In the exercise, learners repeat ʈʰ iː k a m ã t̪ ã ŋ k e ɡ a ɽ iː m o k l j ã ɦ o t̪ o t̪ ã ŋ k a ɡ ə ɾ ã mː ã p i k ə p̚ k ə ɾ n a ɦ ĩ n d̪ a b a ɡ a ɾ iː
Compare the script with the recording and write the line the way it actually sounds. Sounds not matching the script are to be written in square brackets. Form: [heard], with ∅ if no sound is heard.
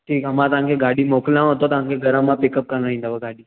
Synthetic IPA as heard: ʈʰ iː k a m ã t̪ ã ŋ k e ɡ a ɽ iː m o k l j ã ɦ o t̪ o t̪ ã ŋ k [e] ɡ ə ɾ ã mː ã p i k ə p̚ k ə ɾ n a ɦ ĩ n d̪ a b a ɡ a [ɽ] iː